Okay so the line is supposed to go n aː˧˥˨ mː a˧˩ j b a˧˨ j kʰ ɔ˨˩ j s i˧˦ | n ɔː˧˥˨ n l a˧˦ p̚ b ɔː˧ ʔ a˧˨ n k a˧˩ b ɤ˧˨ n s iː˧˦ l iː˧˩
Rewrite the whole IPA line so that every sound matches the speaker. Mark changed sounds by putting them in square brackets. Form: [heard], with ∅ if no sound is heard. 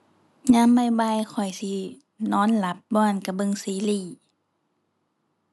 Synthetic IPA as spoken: [ɲ] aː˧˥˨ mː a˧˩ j b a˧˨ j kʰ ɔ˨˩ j s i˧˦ | n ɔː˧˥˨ n l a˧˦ p̚ b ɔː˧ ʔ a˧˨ n k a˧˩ b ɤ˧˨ [ŋ] s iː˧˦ l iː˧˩